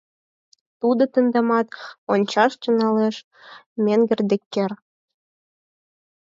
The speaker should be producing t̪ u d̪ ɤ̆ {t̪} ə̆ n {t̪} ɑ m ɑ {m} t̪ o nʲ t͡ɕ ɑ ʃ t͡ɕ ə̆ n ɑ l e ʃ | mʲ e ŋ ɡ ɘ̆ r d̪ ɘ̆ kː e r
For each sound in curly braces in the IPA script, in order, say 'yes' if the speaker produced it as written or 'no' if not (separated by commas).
yes, no, no